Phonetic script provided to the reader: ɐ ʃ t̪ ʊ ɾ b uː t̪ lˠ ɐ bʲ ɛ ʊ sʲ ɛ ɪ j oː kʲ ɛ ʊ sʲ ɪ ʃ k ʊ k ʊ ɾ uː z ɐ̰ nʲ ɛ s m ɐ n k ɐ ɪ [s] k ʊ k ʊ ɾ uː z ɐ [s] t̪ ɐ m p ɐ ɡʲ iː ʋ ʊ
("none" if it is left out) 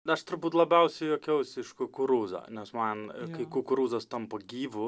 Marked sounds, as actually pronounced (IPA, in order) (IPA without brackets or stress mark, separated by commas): none, s